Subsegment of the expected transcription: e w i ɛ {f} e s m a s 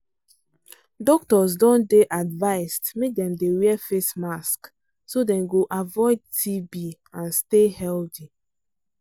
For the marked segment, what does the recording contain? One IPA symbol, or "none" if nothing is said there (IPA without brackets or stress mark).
f